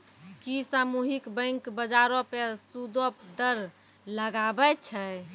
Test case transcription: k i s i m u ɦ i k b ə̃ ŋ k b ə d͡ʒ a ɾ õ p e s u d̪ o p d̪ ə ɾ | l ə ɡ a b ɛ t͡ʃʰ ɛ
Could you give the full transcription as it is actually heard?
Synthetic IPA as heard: k i s a m u ɦ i k b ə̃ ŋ k b ə d͡ʒ a ɾ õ p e s u d̪ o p d̪ ə ɾ | l ə ɡ a b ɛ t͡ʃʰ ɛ